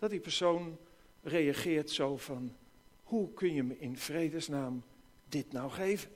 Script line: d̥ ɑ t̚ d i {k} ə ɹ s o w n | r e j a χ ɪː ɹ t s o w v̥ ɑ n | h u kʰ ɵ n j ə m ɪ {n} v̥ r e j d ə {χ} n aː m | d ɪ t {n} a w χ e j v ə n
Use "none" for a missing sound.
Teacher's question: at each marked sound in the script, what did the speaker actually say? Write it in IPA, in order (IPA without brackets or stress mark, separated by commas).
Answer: p, n, s, n